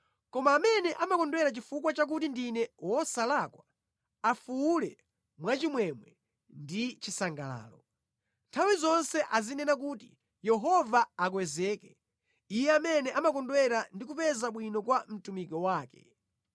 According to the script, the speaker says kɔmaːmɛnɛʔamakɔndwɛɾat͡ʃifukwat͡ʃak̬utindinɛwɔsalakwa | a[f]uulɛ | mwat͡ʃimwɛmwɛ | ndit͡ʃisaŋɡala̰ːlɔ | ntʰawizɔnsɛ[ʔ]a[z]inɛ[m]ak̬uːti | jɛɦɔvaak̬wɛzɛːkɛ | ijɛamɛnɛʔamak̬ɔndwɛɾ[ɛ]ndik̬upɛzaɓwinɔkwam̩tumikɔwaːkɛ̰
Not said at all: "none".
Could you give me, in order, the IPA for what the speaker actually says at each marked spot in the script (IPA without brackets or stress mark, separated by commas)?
f, ʔ, z, n, a